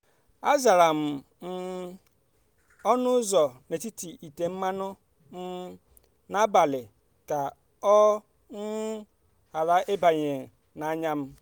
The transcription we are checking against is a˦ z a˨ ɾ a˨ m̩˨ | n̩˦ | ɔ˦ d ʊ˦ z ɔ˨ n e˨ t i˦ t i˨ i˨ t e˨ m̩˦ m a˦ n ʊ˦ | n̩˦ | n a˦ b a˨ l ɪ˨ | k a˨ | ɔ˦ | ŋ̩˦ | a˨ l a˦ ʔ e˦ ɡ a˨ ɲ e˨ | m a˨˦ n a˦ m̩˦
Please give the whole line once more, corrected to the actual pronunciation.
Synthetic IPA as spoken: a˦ z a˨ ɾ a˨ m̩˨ | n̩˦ | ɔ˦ n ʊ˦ z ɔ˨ n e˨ t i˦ t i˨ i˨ t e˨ m̩˦ m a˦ n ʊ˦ | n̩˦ | n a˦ b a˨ l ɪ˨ | k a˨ | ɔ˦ | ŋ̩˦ | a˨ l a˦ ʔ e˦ b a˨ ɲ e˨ | n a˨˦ ɲ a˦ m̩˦